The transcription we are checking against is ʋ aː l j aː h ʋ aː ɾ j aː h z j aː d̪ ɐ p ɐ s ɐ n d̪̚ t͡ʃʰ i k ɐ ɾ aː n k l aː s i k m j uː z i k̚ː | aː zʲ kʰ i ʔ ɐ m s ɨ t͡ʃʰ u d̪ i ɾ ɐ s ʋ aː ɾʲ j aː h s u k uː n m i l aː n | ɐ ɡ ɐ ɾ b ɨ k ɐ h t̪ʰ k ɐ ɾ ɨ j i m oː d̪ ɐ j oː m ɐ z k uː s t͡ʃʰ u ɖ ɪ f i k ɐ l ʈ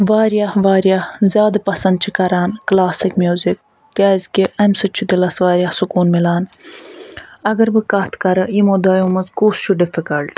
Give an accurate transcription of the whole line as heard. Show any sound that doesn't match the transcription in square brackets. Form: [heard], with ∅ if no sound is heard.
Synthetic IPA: ʋ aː [ɾ] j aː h ʋ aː ɾ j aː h z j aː d̪ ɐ p ɐ s ɐ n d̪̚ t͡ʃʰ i k ɐ ɾ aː n k l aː s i k m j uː z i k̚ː | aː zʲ [k] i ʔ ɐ m s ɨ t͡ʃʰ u d̪ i [l] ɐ s ʋ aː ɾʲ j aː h s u k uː n m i l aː n | ɐ ɡ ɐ ɾ b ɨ k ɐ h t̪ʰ k ɐ ɾ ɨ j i m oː d̪ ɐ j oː m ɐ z k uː s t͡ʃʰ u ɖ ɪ f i k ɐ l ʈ